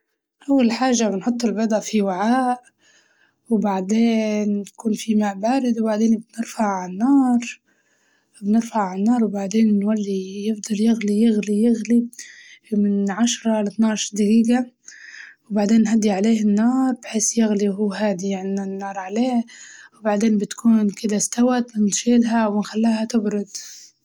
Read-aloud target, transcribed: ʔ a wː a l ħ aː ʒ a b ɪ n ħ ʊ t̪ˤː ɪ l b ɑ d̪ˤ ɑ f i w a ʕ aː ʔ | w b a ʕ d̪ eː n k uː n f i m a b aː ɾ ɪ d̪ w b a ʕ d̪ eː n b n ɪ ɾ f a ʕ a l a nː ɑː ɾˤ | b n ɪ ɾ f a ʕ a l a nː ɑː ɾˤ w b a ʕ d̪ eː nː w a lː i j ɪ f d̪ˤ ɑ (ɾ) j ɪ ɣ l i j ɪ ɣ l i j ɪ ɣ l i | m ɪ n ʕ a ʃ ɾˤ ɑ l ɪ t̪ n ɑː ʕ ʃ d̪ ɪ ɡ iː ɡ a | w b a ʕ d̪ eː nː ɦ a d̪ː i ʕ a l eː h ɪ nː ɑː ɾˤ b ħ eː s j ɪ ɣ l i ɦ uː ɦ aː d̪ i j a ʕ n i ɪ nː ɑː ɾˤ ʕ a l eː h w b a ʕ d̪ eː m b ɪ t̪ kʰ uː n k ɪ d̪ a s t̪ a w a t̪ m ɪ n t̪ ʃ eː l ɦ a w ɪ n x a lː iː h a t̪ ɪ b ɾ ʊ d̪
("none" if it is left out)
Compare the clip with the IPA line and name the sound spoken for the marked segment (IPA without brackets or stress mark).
l